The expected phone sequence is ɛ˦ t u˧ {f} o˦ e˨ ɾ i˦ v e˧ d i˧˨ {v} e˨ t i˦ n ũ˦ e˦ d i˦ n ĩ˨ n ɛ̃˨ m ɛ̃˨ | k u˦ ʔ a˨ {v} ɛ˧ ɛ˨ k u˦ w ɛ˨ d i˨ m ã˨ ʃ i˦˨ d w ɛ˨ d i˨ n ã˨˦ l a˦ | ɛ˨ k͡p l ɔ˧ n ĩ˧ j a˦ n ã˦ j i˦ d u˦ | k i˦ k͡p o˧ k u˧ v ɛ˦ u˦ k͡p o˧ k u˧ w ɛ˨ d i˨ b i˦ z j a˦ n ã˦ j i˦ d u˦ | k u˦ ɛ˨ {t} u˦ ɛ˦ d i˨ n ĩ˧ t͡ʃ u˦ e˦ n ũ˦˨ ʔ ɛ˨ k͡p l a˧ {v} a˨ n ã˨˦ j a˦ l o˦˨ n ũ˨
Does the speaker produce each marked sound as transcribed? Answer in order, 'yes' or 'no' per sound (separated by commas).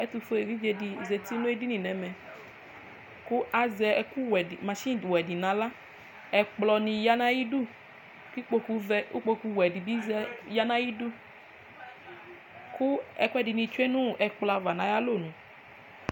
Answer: yes, no, no, no, yes